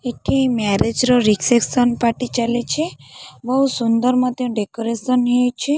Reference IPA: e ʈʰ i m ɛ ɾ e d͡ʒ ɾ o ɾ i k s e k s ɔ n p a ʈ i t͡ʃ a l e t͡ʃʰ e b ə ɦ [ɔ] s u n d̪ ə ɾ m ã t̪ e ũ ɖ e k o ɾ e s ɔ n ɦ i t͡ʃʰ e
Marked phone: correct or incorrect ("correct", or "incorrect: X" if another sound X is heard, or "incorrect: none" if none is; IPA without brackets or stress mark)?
incorrect: u